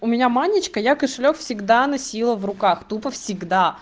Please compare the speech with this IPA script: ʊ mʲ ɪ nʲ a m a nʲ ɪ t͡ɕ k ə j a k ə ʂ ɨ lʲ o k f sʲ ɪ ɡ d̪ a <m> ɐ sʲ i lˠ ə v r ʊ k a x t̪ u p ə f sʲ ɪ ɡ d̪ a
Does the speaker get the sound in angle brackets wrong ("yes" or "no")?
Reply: yes